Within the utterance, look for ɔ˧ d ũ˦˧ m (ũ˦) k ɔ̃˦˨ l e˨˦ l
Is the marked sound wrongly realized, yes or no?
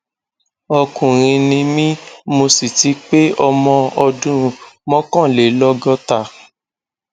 yes